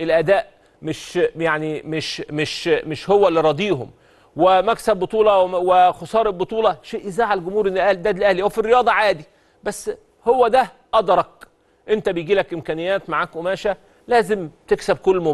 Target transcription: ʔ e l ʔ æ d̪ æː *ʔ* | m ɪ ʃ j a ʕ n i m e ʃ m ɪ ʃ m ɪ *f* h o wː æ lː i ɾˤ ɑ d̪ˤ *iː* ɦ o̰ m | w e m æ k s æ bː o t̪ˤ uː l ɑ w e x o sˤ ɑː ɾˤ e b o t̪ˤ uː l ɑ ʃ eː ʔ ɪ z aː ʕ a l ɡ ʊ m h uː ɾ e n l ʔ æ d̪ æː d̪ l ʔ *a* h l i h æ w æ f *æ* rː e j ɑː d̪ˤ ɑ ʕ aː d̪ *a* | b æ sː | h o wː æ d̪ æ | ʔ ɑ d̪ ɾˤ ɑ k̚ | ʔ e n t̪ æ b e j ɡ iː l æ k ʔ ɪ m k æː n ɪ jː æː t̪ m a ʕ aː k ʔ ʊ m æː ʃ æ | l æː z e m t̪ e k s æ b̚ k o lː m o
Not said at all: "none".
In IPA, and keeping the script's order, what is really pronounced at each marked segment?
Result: ʔ, ʃ, iː, æ, i, i

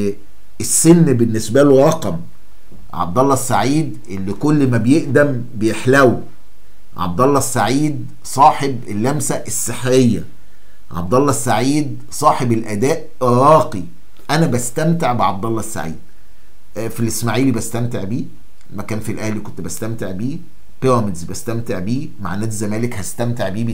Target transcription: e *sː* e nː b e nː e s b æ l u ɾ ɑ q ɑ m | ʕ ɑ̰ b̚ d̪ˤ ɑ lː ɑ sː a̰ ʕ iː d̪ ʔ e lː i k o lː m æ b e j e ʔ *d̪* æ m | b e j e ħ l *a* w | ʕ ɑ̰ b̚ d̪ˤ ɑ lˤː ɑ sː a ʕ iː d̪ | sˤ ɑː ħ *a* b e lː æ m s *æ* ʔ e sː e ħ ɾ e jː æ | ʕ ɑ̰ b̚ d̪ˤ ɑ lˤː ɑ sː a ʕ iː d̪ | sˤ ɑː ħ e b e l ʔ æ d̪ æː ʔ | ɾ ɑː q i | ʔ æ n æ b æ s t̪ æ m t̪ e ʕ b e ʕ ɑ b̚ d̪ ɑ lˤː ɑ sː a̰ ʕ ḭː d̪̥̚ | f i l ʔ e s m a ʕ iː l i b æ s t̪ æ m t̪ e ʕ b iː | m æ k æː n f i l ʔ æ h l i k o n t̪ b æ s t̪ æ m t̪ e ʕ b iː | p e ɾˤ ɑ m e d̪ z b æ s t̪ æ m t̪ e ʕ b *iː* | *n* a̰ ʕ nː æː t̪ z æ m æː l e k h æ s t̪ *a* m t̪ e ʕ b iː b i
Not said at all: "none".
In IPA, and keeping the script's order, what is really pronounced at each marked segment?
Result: sː, d̪, æ, e, æ, iː, m, æ

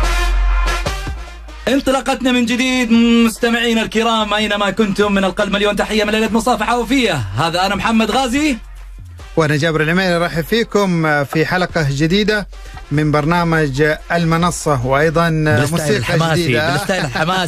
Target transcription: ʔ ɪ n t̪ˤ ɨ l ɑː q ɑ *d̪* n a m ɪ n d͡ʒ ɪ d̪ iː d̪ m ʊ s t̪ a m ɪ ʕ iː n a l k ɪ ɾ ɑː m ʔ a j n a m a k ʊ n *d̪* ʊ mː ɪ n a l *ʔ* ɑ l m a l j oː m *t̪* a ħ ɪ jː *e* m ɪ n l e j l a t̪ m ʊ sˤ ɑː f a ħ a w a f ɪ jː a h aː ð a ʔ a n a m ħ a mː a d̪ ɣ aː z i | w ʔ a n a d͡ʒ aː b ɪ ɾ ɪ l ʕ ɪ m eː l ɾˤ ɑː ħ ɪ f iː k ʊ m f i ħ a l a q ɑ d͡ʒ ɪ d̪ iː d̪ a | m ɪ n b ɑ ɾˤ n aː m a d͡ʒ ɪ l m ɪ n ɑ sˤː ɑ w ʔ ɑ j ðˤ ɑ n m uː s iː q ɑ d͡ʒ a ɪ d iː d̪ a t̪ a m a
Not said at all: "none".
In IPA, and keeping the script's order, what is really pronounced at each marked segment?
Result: t̪, t̪, q, t̪, a

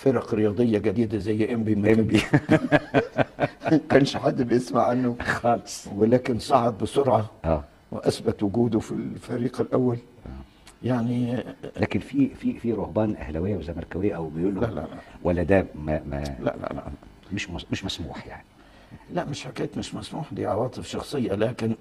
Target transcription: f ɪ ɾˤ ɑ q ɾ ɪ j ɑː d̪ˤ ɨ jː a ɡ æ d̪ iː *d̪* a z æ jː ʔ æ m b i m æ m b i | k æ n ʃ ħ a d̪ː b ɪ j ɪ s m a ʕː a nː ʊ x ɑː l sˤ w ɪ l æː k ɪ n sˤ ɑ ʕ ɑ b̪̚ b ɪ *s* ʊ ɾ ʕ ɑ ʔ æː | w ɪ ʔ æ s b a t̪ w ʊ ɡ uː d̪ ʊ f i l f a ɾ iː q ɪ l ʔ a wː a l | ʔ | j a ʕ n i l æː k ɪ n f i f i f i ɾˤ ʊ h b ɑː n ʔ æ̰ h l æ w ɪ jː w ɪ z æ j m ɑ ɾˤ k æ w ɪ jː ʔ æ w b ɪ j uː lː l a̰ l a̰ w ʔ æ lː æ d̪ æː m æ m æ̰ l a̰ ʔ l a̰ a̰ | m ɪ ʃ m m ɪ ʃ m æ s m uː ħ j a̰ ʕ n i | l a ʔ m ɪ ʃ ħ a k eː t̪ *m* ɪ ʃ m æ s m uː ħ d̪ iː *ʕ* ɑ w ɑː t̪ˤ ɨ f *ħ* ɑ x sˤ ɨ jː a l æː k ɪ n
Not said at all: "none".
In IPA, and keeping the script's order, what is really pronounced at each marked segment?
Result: d̪, s, m, ʕ, ʃ

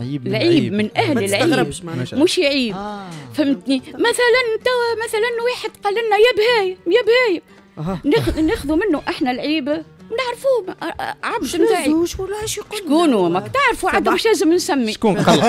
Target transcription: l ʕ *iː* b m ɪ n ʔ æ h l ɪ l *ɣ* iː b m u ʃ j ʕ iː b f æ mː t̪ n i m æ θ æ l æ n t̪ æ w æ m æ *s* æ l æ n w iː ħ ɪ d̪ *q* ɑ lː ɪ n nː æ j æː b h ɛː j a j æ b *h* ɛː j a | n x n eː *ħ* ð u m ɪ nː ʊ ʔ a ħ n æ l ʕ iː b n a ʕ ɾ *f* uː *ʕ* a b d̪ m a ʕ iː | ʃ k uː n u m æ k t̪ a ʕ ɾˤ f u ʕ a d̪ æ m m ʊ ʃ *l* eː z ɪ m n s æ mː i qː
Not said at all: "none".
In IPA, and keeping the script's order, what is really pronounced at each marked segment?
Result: iː, ʕ, θ, q, h, x, f, ʕ, l

